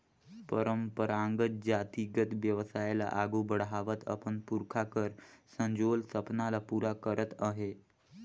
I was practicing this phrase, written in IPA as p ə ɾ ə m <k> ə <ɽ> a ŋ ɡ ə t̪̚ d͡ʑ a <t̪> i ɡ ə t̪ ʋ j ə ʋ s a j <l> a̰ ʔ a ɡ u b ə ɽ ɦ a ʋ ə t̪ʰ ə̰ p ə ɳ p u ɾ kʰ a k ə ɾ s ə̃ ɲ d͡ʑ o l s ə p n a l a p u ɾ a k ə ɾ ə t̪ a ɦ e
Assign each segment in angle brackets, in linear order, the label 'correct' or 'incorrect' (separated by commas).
incorrect, incorrect, correct, correct